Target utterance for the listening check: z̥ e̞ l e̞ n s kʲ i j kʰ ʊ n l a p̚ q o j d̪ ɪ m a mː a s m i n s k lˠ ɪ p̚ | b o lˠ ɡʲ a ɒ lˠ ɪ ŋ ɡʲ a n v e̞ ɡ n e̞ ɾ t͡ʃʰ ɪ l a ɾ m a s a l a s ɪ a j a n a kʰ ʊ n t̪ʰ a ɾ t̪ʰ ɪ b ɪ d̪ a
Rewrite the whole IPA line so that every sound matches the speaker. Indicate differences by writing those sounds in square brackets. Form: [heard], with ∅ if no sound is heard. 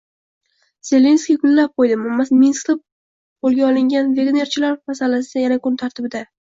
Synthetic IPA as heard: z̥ e̞ l e̞ n s kʲ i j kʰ ʊ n l a p̚ q o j d̪ ɪ m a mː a s m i n s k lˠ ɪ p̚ | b o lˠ ɡʲ a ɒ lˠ ɪ ŋ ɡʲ a n v e̞ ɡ n e̞ ɾ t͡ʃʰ ɪ l a ɾ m a s a l a s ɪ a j a n a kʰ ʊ n t̪ʰ a ɾ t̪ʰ ɪ b ɪ d̪ a